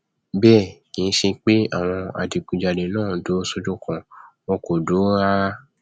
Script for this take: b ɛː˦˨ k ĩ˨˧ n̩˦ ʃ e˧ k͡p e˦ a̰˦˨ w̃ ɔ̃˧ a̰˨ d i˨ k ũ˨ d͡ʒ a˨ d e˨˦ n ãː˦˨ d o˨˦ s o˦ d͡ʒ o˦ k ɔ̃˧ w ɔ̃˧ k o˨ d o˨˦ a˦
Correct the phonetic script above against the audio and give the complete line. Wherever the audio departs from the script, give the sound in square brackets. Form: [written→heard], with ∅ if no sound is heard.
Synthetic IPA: b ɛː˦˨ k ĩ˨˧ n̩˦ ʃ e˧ k͡p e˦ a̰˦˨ w̃ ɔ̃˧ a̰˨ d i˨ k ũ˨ d͡ʒ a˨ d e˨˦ n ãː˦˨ d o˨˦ s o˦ d͡ʒ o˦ k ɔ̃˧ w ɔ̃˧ k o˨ d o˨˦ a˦